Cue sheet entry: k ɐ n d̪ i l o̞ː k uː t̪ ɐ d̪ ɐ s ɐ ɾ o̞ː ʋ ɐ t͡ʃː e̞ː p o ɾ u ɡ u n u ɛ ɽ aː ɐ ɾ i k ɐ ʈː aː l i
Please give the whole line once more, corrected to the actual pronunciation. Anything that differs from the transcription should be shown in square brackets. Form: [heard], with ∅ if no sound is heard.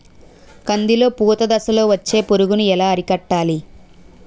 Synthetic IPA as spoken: k ɐ n d̪ i l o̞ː [p] uː t̪ ɐ d̪ ɐ s ɐ [l] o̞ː ʋ ɐ t͡ʃː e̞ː p o ɾ u ɡ u n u ɛ [l] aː ɐ ɾ i k ɐ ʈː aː l i